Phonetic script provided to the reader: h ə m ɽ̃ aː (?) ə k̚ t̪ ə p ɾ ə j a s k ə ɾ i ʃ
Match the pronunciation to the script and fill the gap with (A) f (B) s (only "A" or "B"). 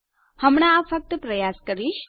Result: A